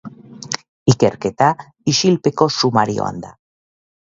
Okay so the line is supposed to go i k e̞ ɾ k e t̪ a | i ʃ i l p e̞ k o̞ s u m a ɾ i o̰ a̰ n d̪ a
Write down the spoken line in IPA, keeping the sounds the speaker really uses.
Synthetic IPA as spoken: i k e̞ ɾ k e t̪ a | i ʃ i l p e̞ k o̞ s u m a ɾ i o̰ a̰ n d̪ a